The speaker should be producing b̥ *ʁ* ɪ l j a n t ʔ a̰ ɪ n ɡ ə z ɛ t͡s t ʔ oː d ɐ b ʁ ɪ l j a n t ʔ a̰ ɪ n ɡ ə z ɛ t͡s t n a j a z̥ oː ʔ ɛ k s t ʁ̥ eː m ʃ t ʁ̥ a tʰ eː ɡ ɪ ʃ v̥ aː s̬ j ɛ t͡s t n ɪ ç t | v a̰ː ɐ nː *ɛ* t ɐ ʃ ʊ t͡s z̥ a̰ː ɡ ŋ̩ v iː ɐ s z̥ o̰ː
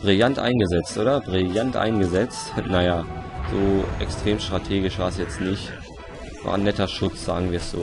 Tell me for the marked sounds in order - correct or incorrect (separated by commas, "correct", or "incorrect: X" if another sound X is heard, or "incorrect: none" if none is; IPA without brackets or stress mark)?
correct, correct